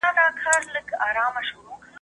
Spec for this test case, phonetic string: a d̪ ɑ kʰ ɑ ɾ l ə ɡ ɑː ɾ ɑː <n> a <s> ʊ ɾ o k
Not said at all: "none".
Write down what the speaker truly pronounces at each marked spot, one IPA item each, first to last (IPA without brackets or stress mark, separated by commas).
m, ʃ